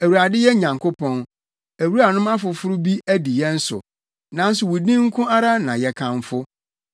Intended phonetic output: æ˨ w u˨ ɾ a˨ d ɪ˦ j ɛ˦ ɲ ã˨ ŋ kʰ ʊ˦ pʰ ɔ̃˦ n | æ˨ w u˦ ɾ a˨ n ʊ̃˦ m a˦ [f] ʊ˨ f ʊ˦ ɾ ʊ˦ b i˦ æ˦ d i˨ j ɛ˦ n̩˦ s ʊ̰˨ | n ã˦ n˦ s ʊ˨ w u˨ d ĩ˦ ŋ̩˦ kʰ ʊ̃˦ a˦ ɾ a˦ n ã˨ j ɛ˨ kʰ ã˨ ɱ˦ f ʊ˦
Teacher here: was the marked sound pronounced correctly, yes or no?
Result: yes